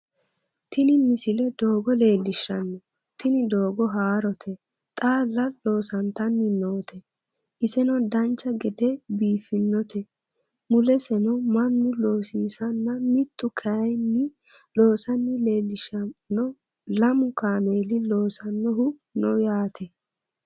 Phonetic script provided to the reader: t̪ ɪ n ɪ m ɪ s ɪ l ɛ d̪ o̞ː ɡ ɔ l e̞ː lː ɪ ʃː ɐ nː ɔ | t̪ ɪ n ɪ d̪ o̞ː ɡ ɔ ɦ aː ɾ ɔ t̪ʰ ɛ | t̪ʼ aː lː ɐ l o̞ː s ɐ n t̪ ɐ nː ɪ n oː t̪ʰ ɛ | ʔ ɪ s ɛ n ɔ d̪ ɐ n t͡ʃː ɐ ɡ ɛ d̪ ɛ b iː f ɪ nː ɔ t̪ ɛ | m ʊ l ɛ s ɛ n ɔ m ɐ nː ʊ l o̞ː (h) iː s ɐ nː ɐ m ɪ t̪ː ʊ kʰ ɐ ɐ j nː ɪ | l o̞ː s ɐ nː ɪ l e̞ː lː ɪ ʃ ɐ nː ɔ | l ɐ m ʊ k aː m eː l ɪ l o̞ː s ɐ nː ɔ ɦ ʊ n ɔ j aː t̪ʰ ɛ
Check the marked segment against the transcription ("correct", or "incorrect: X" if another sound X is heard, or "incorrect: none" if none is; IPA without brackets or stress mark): incorrect: s